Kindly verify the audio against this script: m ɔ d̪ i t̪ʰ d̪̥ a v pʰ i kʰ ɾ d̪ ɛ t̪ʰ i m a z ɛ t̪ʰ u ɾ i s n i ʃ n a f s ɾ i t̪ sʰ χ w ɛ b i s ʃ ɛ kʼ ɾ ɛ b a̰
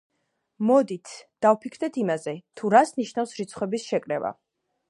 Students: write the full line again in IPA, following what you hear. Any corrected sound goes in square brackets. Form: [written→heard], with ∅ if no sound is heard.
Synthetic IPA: m ɔ d̪ i t̪ʰ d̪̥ a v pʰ i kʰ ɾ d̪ ɛ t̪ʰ i m a z ɛ t̪ʰ u ɾ [i→a] s n i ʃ n a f s ɾ i t̪ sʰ χ w ɛ b i s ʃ ɛ kʼ ɾ ɛ [b→v] a̰